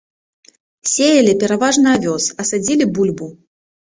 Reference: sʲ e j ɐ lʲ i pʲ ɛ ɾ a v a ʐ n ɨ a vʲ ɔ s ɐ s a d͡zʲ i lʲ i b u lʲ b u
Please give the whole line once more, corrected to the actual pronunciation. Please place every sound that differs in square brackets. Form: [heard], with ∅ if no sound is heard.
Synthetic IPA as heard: sʲ e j ɐ lʲ i pʲ ɛ ɾ a v a ʐ n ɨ a vʲ ɔ s ɐ s a d͡zʲ i lʲ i b u lʲ b u